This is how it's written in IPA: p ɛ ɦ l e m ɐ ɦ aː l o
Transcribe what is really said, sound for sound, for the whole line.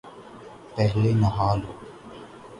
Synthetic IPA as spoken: p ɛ ɦ l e n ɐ ɦ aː l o